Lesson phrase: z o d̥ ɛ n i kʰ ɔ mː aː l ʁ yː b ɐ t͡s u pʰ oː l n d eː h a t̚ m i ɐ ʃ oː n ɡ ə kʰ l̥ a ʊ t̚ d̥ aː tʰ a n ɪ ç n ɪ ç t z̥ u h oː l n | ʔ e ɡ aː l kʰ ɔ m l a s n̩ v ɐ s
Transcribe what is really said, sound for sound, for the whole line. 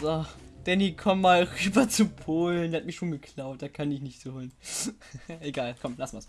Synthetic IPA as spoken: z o d̥ ɛ n i kʰ ɔ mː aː l ʁ yː b ɐ t͡s u pʰ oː l n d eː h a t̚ m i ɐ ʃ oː n ɡ ə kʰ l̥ a ʊ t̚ d̥ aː kʰ a n ɪ ç n ɪ ç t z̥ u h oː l n | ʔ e ɡ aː l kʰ ɔ m l a s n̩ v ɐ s